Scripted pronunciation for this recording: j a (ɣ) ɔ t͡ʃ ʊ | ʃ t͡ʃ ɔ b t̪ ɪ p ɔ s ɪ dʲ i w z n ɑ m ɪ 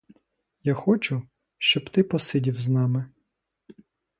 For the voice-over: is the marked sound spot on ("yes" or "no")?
no